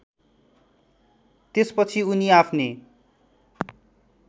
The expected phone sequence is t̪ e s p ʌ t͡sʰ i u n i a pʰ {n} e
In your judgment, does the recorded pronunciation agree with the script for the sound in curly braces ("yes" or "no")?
yes